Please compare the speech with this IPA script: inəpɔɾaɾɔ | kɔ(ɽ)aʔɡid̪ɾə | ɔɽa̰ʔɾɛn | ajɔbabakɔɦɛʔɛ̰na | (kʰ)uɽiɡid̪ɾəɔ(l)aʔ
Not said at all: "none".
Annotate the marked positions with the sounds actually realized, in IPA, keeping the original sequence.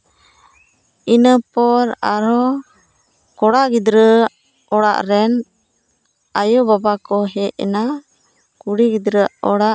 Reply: ɽ, k, ɽ

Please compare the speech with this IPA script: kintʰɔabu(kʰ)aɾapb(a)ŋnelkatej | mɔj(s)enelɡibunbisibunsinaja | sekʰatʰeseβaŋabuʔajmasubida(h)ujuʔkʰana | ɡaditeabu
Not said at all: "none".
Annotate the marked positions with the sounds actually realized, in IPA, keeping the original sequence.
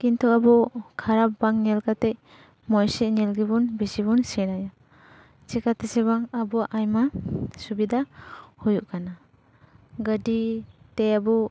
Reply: kʰ, a, s, h

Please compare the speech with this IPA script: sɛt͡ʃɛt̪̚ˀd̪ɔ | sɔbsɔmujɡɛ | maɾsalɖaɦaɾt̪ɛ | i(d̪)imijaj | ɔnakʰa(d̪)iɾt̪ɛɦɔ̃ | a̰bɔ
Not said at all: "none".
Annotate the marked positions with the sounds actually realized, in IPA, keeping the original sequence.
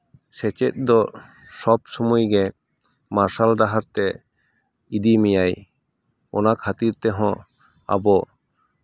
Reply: d̪, t̪

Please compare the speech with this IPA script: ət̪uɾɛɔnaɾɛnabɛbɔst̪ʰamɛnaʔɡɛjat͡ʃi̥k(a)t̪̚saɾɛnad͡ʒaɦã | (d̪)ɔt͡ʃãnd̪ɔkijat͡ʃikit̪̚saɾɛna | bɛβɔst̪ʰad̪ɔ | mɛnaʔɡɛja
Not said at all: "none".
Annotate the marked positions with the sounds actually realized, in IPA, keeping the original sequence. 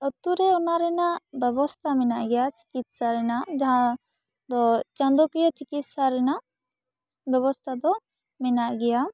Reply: i, d̪

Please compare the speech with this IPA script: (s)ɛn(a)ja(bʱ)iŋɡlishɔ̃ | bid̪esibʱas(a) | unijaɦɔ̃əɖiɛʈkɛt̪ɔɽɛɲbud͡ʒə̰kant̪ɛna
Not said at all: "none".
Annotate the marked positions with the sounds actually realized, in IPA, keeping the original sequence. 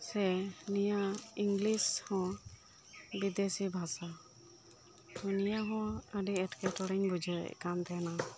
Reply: s, i, none, a

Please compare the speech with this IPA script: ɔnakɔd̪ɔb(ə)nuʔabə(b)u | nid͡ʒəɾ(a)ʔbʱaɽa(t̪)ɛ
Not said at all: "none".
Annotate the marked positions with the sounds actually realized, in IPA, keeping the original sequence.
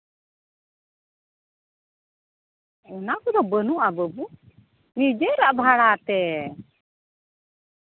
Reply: ə, b, a, t̪

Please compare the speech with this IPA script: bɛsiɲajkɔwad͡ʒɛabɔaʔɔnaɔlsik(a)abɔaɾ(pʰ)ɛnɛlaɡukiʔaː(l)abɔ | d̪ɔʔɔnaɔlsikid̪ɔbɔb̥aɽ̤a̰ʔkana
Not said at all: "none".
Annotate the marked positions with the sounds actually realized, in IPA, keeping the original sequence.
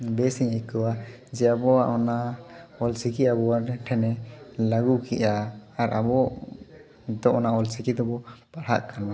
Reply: i, ʈʰ, ɾ

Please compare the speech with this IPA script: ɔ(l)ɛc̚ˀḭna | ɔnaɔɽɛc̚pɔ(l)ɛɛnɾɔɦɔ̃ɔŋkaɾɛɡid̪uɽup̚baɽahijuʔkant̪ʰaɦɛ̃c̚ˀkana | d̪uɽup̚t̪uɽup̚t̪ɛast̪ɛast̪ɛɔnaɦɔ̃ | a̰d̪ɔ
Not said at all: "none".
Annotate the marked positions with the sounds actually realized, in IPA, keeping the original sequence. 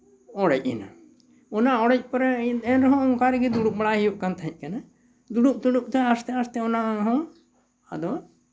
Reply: ɽ, ɾ

